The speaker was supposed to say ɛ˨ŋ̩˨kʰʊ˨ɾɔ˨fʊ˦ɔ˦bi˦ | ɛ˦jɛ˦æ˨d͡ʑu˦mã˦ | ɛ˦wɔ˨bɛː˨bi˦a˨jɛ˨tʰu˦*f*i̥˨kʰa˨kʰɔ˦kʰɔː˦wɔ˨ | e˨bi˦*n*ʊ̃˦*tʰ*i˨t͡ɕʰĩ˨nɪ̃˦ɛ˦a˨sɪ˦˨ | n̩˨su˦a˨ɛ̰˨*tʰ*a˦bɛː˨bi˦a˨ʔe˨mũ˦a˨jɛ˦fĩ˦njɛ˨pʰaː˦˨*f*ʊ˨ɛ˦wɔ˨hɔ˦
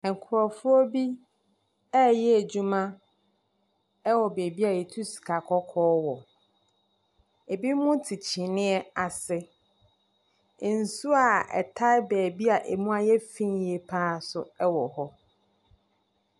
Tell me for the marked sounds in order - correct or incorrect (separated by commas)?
incorrect, incorrect, correct, correct, incorrect